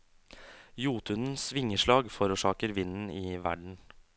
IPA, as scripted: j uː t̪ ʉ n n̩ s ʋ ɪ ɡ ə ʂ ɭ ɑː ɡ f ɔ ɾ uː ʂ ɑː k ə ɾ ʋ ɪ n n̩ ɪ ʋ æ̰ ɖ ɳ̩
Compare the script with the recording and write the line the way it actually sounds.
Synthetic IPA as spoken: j uː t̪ ʉ n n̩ s ʋ ɪ ŋ ə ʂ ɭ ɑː ɡ f ɔ ɾ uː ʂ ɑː k ə ɾ ʋ ɪ n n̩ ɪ ʋ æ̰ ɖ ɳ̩